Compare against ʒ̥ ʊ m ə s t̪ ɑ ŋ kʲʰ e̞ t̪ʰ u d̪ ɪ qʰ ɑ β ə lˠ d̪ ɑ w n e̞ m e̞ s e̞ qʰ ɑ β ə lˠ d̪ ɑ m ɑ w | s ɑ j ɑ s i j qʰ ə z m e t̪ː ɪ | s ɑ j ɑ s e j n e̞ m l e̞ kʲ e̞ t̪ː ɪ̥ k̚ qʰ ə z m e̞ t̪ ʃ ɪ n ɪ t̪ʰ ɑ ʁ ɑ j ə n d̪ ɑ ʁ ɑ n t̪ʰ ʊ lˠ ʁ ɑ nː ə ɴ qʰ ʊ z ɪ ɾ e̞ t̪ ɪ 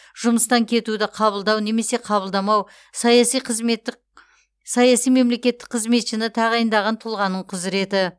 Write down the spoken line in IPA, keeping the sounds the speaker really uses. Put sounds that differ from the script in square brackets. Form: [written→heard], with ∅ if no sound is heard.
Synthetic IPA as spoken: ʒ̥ ʊ m ə s t̪ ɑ ŋ kʲʰ e̞ [t̪ʰ→t̪] u d̪ ɪ qʰ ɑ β ə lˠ d̪ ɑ w n e̞ m e̞ s e̞ qʰ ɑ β ə lˠ d̪ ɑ m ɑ w | s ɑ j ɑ s i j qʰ ə z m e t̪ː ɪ | s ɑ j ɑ s [e→i] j [n→m] e̞ m l e̞ kʲ e̞ t̪ː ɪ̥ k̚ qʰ ə z m e̞ t̪ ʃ ɪ n ɪ t̪ʰ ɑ ʁ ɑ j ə n d̪ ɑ ʁ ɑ n t̪ʰ ʊ lˠ ʁ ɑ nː ə ɴ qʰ ʊ z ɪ ɾ e̞ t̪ ɪ

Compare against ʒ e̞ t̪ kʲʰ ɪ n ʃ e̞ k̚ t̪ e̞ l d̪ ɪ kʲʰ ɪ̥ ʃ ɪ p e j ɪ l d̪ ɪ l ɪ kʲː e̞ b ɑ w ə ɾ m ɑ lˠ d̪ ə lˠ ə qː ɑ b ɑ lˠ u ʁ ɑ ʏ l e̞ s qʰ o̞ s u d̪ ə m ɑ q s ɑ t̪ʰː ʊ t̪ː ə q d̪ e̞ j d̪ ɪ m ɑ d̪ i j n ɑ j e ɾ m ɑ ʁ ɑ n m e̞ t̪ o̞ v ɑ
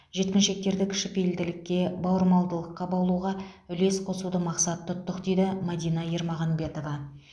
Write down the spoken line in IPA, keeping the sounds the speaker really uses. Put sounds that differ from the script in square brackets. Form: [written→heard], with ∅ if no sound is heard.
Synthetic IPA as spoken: ʒ e̞ t̪ [kʲʰ→kʲ] ɪ n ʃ e̞ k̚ t̪ e̞ [l→ɾ] d̪ ɪ kʲʰ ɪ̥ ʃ ɪ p e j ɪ l d̪ ɪ l ɪ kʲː e̞ b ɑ w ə ɾ m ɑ lˠ d̪ ə lˠ ə qː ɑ b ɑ lˠ u ʁ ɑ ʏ l e̞ s qʰ o̞ s u d̪ ə m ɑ q s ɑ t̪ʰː ʊ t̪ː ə q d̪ e̞ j d̪ ɪ m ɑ d̪ i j n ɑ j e ɾ m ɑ ʁ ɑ n [m→b] e̞ t̪ o̞ v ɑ

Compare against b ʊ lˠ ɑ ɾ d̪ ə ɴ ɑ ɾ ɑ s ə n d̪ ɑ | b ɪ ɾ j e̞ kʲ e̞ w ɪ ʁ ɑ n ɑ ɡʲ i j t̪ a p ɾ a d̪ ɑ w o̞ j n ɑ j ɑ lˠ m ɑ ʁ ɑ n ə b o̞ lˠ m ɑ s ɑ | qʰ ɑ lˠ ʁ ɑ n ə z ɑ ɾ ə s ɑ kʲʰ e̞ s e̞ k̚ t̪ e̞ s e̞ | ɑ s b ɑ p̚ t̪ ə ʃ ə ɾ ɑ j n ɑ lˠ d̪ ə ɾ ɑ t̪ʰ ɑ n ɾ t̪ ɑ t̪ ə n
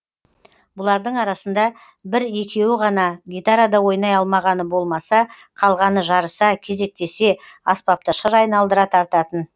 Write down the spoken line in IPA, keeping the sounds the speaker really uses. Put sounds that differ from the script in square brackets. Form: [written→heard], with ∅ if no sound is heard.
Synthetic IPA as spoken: b ʊ lˠ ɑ ɾ d̪ ə ɴ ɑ ɾ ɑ s ə n d̪ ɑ | b ɪ ɾ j e̞ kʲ e̞ w ɪ ʁ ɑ n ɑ ɡʲ i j t̪ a [p→∅] ɾ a d̪ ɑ w o̞ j n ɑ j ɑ lˠ m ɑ ʁ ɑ n ə b o̞ lˠ m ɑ s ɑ | qʰ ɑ lˠ ʁ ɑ n ə [z→ʒ] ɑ ɾ ə s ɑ kʲʰ e̞ [s→z] e̞ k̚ t̪ e̞ s e̞ | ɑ s [b→p] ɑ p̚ t̪ ə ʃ ə ɾ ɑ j n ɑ lˠ d̪ ə ɾ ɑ t̪ʰ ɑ [n→∅] ɾ t̪ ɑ t̪ ə n

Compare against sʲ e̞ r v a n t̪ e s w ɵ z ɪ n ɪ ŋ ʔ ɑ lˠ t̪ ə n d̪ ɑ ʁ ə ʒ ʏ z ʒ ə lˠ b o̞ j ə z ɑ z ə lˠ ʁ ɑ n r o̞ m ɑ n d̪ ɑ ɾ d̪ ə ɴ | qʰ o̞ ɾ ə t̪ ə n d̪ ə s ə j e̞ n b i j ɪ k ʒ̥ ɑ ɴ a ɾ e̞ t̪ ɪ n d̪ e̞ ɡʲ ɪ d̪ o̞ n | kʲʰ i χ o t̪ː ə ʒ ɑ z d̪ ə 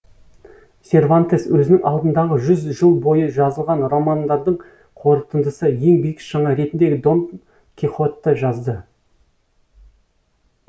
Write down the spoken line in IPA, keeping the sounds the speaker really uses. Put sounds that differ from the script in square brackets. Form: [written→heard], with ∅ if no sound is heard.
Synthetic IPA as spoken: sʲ e̞ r v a n t̪ e s w ɵ z ɪ n ɪ ŋ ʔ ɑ lˠ [t̪→d̪] ə n d̪ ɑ ʁ ə ʒ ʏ z ʒ ə lˠ b o̞ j ə [z→ʒ] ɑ z ə lˠ ʁ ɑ n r o̞ m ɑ n d̪ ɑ ɾ d̪ ə ɴ | qʰ o̞ ɾ ə t̪ ə n d̪ ə s ə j e̞ [n→ŋ] b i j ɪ k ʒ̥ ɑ ɴ [a→ɑ] ɾ e̞ t̪ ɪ n d̪ e̞ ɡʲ ɪ d̪ o̞ n | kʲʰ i χ o t̪ː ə ʒ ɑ z d̪ ə

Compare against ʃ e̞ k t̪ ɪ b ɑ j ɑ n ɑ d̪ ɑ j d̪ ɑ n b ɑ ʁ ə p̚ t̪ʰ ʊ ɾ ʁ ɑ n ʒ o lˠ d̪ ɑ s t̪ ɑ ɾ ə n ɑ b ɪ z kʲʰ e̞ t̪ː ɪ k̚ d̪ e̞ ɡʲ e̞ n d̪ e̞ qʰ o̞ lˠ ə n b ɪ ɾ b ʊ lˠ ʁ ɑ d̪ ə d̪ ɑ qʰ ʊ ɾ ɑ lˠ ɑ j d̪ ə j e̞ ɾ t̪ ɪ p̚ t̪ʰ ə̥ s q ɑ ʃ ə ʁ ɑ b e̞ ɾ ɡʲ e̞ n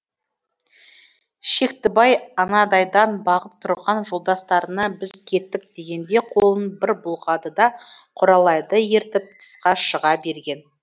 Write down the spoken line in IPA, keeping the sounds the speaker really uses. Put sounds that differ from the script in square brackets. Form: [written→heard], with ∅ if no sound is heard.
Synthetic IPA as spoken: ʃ e̞ k t̪ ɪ b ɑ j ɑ n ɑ d̪ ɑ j d̪ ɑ n b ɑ ʁ ə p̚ t̪ʰ ʊ ɾ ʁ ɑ n ʒ o lˠ d̪ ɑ s t̪ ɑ ɾ ə n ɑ b ɪ z kʲʰ e̞ t̪ː ɪ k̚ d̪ e̞ ɡʲ e̞ n d̪ e̞ qʰ o̞ lˠ ə n b ɪ ɾ b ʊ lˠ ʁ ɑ d̪ ə d̪ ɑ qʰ ʊ ɾ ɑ lˠ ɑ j d̪ ə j e̞ ɾ t̪ ɪ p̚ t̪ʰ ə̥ s q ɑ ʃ ə ʁ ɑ b e̞ ɾ ɡʲ e̞ n

